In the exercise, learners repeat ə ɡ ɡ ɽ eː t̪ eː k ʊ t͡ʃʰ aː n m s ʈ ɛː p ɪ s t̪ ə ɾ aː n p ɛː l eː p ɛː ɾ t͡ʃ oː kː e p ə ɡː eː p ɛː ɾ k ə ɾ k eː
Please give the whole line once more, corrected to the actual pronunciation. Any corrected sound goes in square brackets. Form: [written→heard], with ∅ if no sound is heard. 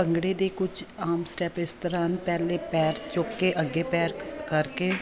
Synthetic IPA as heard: ə [ɡ→ŋ] ɡ ɽ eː [t̪→d̪] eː k ʊ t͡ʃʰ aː [n→∅] m s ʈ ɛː p ɪ s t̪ ə ɾ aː n p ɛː l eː p ɛː ɾ t͡ʃ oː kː e [p→ʔ] ə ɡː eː p ɛː ɾ k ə ɾ k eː